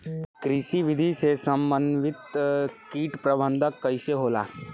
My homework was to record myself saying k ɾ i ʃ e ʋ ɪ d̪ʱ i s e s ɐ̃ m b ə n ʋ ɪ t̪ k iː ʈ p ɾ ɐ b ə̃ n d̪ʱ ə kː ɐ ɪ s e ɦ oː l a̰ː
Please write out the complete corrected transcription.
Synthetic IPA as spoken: k ɾ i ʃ i ʋ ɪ d̪ʱ i s e s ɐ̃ m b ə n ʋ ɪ t̪ k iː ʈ p ɾ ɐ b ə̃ n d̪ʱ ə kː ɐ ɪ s e ɦ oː l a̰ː